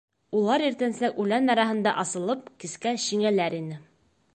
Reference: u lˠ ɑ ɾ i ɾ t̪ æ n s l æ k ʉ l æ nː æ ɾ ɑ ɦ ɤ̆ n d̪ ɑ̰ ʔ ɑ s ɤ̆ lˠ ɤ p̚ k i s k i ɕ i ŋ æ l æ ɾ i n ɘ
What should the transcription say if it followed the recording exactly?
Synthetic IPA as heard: u lˠ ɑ ɾ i ɾ t̪ æ n s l æ k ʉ l æ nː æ ɾ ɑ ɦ ɤ̆ n d̪ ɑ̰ ʔ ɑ s ɤ̆ lˠ ɤ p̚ k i s k æ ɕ i ŋ æ l æ ɾ i n ɘ